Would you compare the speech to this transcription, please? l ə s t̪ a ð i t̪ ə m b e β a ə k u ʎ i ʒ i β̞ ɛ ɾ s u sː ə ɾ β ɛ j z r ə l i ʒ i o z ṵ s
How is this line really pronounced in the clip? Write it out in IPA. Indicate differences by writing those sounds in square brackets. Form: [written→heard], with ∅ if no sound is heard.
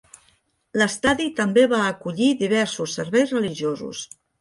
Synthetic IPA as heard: l ə s t̪ a ð i t̪ ə m b e β a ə k u ʎ i [ʒ→ð] i β̞ ɛ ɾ s u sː ə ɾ β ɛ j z r ə l i ʒ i o z ṵ s